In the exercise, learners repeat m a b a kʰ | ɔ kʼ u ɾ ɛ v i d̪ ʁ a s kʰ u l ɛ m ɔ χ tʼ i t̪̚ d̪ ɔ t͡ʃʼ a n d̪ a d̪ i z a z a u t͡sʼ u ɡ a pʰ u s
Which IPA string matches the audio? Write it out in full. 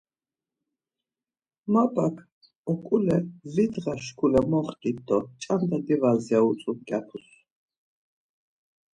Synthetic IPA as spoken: m a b a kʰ | ɔ kʼ u l ɛ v i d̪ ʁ a ʃ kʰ u l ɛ m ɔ χ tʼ i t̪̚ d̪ ɔ t͡ʃʼ a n d̪ a d̪ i v a z a u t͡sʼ u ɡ a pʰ u s